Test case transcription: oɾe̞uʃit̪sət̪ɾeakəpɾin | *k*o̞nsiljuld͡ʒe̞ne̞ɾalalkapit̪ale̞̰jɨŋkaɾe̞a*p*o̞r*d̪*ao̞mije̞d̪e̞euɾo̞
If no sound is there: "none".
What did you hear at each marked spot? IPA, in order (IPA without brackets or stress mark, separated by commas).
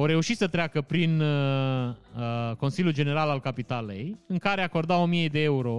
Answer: k, k, d̪